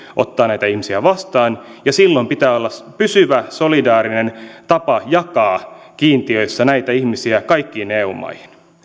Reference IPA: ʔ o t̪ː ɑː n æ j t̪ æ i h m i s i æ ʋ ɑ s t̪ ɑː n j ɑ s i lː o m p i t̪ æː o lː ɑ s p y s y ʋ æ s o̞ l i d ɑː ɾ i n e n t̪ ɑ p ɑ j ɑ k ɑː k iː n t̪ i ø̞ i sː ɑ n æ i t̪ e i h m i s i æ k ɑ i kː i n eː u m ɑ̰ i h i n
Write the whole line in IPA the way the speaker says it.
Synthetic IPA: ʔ o t̪ː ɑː n æ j t̪ æ i h m i s i æ ʋ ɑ s t̪ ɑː n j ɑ s i lː o m p i t̪ æː o lː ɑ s p y s y ʋ æ s o̞ l i d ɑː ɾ i n e n t̪ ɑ p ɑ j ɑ k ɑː k iː n t̪ i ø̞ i sː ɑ n æ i t̪ æ i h m i s i æ k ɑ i kː iː n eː u m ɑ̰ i h i n

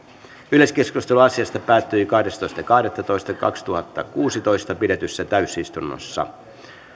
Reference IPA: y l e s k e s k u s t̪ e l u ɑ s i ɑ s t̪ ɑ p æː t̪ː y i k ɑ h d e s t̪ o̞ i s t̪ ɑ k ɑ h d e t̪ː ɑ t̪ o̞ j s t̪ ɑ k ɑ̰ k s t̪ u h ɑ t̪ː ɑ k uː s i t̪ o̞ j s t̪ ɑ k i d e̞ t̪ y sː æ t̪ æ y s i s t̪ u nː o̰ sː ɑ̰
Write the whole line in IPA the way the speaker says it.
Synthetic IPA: y l e s k e s k u s t̪ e l u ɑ s i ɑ s t̪ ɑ p æː t̪ː y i k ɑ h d e s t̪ o̞ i s t̪ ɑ k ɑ h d e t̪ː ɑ t̪ o̞ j s t̪ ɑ k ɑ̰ k s t̪ u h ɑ t̪ː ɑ k uː s i t̪ o̞ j s t̪ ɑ p i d e̞ t̪ y sː æ t̪ æ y s i s t̪ u nː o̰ sː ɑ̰

